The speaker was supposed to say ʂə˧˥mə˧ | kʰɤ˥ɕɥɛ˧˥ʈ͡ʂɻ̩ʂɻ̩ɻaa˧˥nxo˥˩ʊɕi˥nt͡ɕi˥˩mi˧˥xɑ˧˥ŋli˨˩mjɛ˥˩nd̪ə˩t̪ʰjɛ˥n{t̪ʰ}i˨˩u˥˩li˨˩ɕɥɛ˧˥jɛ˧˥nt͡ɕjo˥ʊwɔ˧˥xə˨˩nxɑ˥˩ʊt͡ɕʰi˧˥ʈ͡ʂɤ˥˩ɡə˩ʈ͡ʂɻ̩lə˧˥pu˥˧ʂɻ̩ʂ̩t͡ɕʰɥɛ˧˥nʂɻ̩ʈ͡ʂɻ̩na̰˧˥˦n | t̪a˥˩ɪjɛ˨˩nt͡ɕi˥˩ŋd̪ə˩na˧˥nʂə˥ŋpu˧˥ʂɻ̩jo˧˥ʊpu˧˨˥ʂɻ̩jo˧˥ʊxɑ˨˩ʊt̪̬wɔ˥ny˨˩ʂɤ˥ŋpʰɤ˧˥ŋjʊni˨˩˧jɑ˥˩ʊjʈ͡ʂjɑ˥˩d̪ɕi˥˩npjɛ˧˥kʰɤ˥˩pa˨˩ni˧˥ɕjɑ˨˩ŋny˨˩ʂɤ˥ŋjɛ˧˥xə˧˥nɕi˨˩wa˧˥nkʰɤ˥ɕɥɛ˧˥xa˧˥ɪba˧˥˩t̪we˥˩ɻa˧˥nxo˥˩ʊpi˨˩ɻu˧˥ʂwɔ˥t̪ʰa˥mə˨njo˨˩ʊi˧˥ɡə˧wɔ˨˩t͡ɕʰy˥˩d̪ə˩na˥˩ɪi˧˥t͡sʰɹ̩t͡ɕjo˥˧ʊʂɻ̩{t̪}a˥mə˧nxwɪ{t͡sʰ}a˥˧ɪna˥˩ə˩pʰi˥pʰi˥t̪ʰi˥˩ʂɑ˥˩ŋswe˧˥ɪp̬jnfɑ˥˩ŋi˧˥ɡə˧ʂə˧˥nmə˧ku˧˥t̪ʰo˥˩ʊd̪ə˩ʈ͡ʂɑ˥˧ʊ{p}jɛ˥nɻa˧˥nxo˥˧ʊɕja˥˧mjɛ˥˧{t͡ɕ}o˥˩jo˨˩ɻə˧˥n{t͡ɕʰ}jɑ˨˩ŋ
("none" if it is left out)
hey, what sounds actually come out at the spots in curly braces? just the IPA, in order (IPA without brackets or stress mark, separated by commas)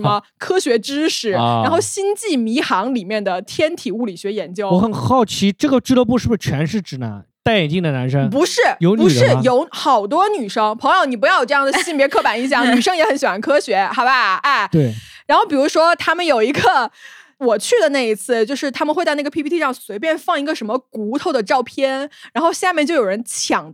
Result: t̪ʰ, t̪ʰ, t͡s, pʰ, t͡ɕ, t͡ɕʰ